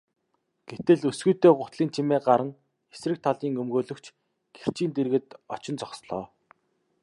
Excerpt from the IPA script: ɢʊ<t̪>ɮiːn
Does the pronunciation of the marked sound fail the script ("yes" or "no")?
no